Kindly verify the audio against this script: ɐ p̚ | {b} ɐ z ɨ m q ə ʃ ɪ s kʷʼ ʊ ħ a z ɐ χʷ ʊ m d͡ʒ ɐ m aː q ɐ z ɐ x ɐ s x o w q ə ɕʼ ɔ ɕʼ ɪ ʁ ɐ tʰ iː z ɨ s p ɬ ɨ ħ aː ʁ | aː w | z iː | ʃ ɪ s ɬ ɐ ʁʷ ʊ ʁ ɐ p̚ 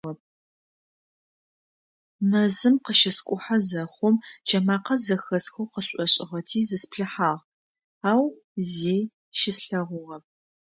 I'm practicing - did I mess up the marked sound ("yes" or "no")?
yes